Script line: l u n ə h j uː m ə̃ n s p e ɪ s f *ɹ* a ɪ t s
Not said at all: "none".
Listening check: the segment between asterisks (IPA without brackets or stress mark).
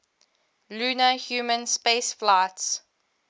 l